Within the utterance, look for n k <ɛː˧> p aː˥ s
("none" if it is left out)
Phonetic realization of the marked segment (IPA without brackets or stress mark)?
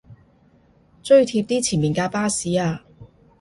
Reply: aː˧